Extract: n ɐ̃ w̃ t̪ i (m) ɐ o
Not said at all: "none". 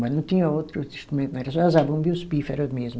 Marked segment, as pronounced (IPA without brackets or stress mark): ɲ